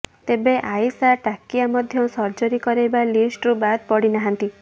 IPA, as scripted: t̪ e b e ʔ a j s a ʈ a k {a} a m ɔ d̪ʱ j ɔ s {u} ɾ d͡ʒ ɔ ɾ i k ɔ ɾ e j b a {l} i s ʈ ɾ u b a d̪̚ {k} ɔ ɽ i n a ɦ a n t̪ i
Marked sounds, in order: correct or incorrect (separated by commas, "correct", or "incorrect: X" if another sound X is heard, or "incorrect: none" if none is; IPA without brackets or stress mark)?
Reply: incorrect: i, incorrect: ɔ, correct, incorrect: p